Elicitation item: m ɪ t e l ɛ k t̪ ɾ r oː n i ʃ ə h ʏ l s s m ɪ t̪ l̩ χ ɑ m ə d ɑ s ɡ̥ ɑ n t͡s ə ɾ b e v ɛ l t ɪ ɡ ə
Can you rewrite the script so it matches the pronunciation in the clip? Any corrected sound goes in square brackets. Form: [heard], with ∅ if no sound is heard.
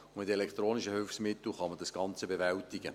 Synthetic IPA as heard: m ɪ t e l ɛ k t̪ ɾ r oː n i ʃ ə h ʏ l [f] s m ɪ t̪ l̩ χ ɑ m ə d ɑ s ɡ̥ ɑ n t͡s ə [∅] b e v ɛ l t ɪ ɡ ə

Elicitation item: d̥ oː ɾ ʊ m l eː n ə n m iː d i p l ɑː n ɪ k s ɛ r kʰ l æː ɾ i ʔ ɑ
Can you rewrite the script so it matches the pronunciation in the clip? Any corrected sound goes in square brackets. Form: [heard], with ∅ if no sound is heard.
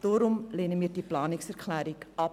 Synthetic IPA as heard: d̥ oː ɾ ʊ m l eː n ə [∅] m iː d i p l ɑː n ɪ k s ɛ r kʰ l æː ɾ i [k] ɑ

